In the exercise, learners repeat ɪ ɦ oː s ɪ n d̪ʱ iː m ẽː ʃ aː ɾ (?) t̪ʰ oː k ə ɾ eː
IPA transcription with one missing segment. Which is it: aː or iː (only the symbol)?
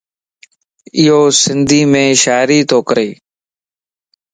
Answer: iː